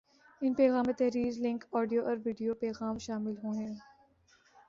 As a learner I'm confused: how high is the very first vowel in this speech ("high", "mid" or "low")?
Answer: high